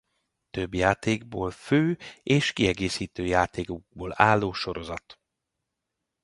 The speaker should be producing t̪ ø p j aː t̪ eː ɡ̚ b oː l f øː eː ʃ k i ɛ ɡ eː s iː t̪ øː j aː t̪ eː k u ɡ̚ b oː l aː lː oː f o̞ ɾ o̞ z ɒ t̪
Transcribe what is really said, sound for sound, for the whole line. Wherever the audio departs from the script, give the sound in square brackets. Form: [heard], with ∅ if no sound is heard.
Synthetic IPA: t̪ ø [b] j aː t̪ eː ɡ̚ b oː l f øː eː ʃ k i ɛ ɡ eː s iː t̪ øː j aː t̪ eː k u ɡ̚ b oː l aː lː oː [ʃ] o̞ ɾ o̞ z ɒ t̪